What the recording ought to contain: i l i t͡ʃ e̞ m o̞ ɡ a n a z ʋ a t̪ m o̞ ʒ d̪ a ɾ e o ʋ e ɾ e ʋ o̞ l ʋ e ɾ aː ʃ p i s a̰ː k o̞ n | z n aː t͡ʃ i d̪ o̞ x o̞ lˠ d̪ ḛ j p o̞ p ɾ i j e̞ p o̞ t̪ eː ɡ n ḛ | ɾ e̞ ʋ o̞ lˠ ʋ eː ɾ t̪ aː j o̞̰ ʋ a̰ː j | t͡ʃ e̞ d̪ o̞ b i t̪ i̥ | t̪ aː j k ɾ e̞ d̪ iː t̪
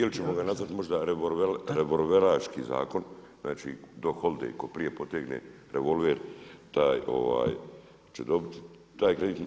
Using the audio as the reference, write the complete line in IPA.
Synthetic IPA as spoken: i l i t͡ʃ e̞ m o̞ ɡ a n a z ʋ a t̪ m o̞ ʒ d̪ a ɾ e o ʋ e ɾ e ʋ o̞ l ʋ e ɾ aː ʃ k i z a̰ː k o̞ n | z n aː t͡ʃ i d̪ o̞ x o̞ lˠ d̪ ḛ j k o̞ p ɾ i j e̞ p o̞ t̪ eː ɡ n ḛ | ɾ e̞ ʋ o̞ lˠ ʋ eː ɾ t̪ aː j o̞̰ ʋ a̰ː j | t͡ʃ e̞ d̪ o̞ b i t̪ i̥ | t̪ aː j k ɾ e̞ d̪ iː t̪